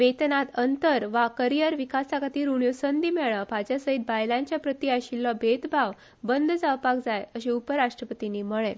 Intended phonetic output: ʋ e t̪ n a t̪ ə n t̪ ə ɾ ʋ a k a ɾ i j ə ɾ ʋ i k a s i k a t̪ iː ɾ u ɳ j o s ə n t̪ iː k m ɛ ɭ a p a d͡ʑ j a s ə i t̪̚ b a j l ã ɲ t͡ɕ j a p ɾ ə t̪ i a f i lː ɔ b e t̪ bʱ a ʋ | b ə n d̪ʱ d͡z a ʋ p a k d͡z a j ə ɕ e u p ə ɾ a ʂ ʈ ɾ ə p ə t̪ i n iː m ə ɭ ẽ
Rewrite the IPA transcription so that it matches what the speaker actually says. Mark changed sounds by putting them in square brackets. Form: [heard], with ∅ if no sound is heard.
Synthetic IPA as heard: ʋ e t̪ n a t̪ ə n t̪ ə ɾ ʋ a k [ə] ɾ i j ə ɾ ʋ i k a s [a] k a t̪ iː ɾ u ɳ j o s ə n [d̪] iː [∅] m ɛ ɭ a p a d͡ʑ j a s ə i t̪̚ b a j l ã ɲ t͡ɕ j a p ɾ ə t̪ i a [ɕ] i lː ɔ b e t̪ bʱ a ʋ | b ə n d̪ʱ d͡z a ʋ p a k d͡z a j ə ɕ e u p ə ɾ a ʂ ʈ ɾ ə p ə t̪ i n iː m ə ɭ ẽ